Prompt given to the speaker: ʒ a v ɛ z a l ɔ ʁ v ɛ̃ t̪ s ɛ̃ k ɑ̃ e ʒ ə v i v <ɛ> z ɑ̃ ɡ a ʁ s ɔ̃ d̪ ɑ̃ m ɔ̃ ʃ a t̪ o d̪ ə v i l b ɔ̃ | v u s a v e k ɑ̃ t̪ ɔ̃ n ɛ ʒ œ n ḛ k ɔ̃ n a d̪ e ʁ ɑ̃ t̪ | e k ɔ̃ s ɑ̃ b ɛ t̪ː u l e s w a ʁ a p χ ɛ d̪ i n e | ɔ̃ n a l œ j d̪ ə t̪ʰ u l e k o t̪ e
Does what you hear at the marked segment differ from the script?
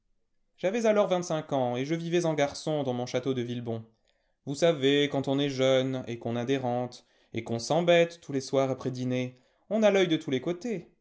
no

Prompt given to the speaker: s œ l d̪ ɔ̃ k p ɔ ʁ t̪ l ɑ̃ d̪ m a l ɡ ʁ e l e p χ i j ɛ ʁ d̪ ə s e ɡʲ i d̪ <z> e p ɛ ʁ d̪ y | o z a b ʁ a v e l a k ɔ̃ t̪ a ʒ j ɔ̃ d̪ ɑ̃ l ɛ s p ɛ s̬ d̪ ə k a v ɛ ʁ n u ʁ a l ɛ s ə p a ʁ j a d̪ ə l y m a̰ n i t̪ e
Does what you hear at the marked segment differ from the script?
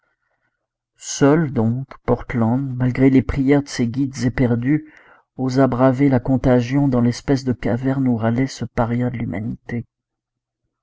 no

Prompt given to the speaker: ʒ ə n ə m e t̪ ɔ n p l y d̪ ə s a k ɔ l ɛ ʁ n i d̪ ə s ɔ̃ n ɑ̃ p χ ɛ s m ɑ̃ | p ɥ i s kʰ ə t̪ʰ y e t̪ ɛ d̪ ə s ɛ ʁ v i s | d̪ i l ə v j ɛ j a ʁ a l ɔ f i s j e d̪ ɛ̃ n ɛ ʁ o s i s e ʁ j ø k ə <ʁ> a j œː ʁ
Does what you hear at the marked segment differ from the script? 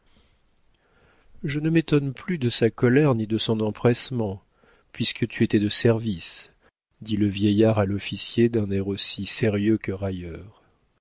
no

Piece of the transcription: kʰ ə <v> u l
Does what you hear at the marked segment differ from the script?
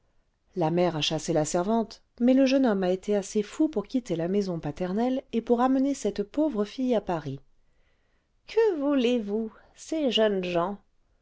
no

